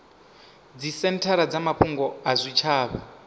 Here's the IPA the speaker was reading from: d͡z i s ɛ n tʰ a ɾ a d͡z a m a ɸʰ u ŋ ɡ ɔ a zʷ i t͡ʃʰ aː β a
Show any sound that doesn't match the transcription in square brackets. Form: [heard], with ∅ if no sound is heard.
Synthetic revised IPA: d͡z i s ɛ n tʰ a ɾ a d͡z a m a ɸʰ u ŋ ɡ ɔ a zʷ i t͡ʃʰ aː β a